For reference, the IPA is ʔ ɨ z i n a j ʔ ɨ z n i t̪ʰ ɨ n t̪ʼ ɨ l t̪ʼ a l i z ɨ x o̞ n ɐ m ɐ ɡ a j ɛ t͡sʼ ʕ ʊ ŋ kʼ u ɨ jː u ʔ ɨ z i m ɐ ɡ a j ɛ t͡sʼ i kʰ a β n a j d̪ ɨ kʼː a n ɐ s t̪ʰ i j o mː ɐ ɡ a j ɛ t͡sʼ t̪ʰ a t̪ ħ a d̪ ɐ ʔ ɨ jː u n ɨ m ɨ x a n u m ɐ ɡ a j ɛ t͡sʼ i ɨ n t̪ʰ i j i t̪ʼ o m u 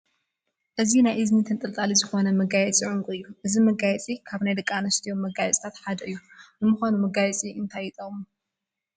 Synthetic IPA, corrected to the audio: ʔ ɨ z i n a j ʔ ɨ z n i t̪ʰ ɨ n t̪ʼ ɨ l t̪ʼ a l i z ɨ x o̞ n ɐ m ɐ ɡ a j ɛ t͡sʼ ʕ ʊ ŋ kʼ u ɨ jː u ʔ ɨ z i m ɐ ɡ a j ɛ t͡sʼ i kʰ a β n a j d̪ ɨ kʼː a n ɐ s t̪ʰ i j o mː ɐ ɡ a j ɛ t͡sʼ t̪ʰ a t̪ ħ a d̪ ɐ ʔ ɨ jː u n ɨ m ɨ x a n u m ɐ ɡ a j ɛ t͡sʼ i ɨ n t̪ʰ a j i t̪ʼ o m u